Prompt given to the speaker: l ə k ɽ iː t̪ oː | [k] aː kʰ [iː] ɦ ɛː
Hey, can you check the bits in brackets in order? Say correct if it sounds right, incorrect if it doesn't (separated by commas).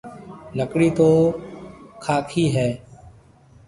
incorrect, correct